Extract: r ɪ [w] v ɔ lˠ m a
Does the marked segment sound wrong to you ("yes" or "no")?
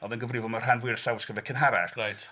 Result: yes